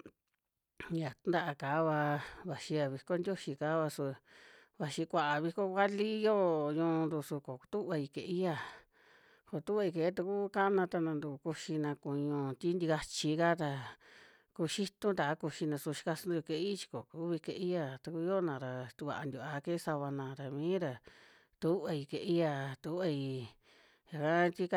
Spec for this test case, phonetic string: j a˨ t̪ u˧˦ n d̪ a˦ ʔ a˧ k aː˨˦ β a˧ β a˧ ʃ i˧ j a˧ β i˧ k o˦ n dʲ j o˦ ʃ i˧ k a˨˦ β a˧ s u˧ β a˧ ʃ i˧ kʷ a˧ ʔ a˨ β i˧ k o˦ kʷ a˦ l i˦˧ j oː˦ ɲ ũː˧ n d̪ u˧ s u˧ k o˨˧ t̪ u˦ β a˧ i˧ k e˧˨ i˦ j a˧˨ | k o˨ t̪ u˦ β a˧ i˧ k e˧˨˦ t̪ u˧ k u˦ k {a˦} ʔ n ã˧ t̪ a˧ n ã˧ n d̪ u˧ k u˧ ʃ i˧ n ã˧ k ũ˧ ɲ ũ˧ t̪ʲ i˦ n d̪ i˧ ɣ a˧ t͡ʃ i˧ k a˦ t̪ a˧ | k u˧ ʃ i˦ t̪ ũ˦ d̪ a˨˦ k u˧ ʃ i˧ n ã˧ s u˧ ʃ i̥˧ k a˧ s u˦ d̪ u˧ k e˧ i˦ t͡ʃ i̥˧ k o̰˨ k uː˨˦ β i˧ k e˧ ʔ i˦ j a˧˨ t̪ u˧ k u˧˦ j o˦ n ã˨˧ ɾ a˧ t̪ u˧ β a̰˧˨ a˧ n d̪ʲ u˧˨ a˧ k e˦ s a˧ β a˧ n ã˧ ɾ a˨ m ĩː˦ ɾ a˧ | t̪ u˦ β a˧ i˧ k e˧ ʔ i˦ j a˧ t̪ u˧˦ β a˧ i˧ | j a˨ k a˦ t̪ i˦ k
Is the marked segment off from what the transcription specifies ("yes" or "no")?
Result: no